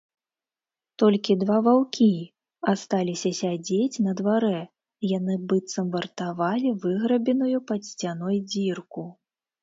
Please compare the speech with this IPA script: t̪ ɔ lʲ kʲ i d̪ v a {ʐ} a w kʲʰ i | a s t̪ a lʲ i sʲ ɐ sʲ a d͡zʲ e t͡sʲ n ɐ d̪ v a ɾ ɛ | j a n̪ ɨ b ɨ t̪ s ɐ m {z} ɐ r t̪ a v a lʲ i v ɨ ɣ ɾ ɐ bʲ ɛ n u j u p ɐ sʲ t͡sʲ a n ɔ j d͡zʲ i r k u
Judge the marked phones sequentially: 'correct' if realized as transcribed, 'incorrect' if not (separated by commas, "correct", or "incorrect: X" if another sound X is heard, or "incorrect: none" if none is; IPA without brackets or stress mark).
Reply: incorrect: v, incorrect: v